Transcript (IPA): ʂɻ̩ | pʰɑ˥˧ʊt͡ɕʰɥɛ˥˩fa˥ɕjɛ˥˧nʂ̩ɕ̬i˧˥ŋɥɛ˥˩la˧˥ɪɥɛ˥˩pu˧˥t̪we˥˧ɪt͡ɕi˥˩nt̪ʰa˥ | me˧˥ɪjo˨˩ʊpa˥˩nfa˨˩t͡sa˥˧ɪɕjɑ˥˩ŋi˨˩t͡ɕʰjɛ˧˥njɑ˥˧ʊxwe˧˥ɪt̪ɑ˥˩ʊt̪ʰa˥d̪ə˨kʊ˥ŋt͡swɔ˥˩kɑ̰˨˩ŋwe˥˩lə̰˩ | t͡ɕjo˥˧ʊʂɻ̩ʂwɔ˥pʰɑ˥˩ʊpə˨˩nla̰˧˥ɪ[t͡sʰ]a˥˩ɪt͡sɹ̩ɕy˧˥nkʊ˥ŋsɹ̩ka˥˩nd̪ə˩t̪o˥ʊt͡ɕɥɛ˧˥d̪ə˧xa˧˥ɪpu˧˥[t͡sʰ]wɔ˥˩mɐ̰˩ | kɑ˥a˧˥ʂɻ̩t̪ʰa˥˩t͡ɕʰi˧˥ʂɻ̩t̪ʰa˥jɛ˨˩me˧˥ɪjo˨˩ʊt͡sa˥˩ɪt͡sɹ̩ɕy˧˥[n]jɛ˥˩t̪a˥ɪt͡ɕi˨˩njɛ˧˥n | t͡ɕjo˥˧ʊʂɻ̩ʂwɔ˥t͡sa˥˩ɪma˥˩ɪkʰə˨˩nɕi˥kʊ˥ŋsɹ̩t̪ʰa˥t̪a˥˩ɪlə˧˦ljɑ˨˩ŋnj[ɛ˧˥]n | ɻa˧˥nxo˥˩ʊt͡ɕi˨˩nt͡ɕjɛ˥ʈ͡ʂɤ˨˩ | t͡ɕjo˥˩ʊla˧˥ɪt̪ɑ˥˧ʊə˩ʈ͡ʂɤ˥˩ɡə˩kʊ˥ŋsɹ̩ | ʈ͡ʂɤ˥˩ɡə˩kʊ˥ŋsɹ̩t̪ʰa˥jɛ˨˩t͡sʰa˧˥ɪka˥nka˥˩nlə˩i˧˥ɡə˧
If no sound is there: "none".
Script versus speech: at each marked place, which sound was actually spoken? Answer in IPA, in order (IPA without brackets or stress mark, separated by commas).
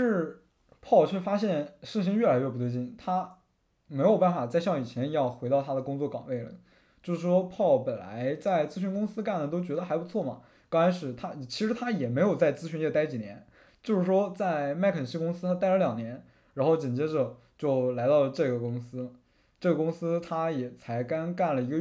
t͡s, t͡sʰ, n, ɛ˧˥